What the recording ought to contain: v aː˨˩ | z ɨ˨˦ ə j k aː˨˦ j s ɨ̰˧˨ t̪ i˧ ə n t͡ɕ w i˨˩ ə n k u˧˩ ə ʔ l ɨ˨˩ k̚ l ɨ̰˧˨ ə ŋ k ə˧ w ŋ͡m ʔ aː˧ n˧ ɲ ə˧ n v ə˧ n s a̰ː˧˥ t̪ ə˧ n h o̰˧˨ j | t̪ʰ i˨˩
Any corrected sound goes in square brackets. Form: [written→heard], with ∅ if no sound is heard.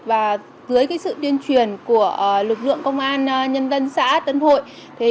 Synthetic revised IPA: v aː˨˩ | z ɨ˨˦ ə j k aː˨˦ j s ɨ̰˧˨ t̪ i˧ ə n t͡ɕ w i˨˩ ə n k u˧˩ ə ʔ l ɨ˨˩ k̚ l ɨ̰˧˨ ə ŋ k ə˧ w ŋ͡m ʔ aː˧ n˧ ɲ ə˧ n [v→z] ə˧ n s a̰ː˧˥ t̪ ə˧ n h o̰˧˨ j | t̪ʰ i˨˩